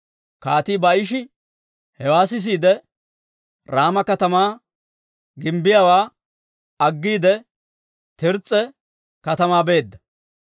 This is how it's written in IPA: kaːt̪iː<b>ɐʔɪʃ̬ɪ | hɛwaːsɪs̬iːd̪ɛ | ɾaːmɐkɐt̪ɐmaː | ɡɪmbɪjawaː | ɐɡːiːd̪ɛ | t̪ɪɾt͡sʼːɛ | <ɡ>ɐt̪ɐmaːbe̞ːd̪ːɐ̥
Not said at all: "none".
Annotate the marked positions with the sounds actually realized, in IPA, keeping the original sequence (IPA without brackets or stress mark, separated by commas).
b, k